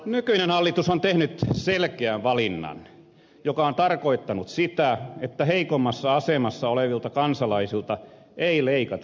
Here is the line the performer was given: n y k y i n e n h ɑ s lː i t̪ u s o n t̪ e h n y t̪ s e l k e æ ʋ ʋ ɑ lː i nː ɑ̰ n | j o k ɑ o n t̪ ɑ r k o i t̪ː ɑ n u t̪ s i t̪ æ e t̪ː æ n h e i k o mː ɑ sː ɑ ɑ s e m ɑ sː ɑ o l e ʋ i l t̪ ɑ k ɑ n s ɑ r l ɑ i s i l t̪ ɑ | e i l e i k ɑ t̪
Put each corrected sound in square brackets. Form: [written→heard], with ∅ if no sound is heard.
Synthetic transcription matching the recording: n y k y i n e n h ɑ [s→∅] lː i t̪ u s o n t̪ e h n y t̪ s e l k e æ ʋ ʋ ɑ [lː→l] i nː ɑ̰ n | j o k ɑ o n t̪ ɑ r k o i t̪ː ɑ n u t̪ s i t̪ æ e t̪ː æ [n→∅] h e i k o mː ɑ sː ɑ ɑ s e m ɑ sː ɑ o l e ʋ i l t̪ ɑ k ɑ n s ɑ [r→∅] l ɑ i s i l t̪ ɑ | e i l e i k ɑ t̪